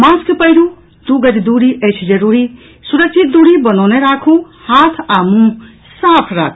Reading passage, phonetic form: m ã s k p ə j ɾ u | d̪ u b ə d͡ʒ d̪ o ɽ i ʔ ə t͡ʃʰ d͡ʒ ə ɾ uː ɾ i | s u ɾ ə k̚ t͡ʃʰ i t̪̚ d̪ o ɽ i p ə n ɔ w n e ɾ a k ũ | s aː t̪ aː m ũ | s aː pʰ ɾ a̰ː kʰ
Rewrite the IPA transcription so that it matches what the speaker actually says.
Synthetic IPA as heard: m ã s k p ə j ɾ u | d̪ u ɡ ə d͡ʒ d̪ u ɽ i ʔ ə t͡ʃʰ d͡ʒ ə ɾ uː ɾ i | s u ɾ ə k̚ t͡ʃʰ i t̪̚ d̪ u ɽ i b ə n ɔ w n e ɾ a kʰ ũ | h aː t̪ʰ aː m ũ | s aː pʰ ɾ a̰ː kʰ